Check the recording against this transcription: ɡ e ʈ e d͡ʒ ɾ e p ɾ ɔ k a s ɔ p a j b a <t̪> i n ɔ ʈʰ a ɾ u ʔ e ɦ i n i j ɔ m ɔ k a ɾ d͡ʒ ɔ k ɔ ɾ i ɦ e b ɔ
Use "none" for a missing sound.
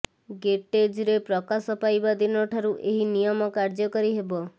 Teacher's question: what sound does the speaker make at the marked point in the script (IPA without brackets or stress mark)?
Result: d̪